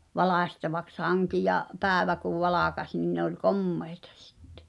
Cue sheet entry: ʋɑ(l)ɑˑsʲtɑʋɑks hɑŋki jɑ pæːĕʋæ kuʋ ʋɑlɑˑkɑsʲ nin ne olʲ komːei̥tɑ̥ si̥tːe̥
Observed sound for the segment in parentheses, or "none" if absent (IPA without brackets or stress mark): l